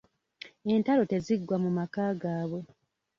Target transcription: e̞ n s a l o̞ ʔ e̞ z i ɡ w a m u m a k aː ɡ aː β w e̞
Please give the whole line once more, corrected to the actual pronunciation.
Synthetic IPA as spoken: e̞ n t a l o̞ t e̞ z i ɡ w a m u m a k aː ɡ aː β w e̞